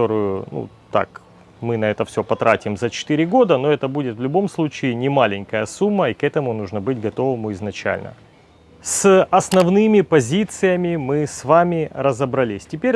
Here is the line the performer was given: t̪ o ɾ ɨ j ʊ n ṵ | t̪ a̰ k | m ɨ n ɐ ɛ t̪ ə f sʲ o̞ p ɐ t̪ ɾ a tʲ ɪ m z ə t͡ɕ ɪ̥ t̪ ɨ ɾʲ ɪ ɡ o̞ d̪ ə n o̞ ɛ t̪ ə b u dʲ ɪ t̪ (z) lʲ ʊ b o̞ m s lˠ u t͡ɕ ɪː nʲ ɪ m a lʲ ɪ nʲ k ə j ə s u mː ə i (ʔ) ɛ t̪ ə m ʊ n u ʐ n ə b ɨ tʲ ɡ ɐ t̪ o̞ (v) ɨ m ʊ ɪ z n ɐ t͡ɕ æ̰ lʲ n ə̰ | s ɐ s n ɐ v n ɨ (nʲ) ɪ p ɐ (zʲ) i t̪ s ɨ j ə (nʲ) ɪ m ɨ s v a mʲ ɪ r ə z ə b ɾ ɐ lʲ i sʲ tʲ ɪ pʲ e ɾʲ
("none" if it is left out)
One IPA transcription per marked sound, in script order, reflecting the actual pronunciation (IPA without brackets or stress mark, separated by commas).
v, k, v, mʲ, zʲ, mʲ